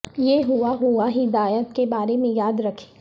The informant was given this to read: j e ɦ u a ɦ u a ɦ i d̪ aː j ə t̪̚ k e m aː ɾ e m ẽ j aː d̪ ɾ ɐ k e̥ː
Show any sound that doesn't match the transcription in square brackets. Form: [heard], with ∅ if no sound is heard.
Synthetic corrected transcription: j e ɦ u a ɦ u a ɦ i d̪ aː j ə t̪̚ k e [b] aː ɾ e m ẽ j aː d̪ ɾ ɐ [kʰ] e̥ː